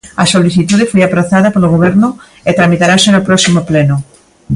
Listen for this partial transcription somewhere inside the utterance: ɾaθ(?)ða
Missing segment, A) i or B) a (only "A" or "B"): B